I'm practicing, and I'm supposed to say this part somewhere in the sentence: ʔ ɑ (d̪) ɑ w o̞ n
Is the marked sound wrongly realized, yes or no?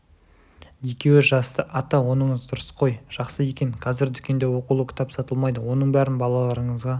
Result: yes